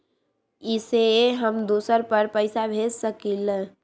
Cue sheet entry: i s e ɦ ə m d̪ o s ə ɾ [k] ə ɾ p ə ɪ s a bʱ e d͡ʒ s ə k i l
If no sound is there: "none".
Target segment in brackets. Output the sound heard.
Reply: p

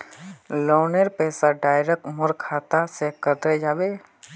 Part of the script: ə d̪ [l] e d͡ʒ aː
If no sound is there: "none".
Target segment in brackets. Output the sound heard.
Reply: ɾ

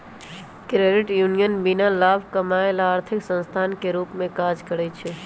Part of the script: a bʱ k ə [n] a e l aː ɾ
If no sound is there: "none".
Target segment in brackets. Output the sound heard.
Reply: m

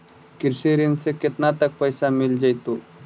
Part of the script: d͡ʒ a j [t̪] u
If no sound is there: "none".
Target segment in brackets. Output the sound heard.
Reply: t̪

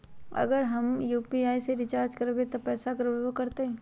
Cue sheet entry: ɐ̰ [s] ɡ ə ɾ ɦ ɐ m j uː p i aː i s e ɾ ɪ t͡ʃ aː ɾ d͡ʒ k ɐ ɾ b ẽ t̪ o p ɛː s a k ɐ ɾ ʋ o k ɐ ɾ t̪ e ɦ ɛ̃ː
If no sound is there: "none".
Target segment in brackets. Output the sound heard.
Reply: none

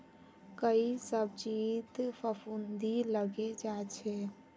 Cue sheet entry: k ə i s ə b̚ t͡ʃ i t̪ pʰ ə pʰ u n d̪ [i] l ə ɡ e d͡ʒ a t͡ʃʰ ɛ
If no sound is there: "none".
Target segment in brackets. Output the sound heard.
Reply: i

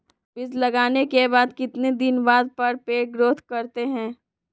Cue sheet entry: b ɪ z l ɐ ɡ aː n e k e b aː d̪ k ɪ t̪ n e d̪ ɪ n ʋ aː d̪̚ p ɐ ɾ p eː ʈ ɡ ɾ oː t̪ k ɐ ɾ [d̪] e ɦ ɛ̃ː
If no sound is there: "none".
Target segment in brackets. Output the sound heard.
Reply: t̪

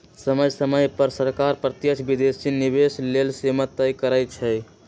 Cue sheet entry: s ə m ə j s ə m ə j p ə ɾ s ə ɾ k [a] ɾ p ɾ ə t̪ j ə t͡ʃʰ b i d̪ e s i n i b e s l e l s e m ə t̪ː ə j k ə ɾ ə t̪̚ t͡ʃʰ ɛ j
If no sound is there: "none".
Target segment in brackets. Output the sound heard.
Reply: a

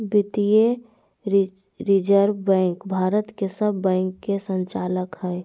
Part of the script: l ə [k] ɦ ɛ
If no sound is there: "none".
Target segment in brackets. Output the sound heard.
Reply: k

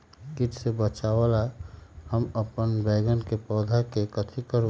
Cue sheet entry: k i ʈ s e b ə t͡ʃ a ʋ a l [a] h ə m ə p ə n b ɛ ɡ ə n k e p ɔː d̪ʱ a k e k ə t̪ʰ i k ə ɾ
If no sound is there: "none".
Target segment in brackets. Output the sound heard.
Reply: a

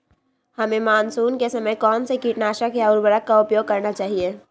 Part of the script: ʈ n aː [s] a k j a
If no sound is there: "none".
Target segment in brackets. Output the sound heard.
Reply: ʃ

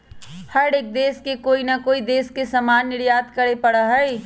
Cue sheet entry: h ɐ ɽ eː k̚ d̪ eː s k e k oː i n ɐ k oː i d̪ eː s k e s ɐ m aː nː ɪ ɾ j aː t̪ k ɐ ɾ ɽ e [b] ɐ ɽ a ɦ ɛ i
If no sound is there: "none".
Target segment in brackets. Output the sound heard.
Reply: p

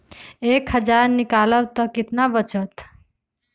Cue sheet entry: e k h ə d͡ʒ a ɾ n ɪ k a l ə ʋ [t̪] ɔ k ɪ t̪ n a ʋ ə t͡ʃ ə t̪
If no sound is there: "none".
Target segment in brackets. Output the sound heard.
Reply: t̪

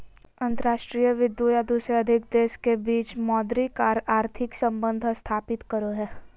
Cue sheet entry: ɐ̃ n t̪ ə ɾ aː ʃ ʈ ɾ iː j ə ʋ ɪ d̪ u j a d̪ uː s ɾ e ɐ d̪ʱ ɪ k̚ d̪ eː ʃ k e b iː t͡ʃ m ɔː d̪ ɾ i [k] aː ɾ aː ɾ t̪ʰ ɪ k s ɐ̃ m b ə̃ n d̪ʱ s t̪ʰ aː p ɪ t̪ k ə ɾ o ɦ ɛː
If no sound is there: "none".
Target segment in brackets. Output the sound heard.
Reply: k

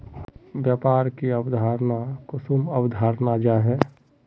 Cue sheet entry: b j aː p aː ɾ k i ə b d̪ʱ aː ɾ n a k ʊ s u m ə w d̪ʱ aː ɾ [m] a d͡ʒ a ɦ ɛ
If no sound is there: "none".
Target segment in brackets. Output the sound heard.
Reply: n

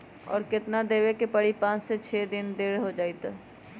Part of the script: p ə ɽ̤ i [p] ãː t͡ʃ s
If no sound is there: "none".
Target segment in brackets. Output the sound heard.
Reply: p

